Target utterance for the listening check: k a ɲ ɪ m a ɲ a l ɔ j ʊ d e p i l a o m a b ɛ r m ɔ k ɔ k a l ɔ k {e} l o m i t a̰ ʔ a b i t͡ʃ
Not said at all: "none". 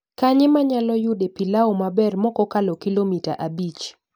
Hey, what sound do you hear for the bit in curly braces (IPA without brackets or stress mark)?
i